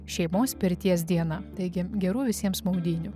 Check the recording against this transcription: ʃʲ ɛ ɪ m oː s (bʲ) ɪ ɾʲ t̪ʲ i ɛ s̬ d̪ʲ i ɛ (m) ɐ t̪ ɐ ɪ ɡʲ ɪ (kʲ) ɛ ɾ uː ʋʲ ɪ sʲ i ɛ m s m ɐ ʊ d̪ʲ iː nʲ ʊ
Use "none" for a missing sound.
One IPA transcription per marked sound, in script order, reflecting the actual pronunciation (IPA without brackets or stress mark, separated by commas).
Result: pʲ, n, ɡʲ